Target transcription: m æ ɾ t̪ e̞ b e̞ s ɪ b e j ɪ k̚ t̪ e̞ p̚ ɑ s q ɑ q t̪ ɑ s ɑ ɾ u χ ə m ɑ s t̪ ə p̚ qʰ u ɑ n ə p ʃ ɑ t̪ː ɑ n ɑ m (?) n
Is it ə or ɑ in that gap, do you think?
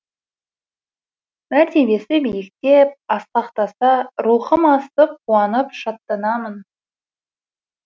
ə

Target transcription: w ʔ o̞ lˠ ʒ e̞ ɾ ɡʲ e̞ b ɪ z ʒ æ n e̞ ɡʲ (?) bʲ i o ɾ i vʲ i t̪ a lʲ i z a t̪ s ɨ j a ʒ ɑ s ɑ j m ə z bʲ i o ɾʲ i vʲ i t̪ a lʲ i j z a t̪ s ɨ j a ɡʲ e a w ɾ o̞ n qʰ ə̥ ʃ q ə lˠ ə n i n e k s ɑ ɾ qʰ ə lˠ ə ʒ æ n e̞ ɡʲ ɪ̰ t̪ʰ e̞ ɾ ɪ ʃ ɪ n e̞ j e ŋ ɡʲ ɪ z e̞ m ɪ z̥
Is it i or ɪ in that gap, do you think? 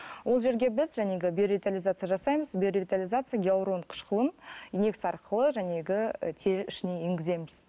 ɪ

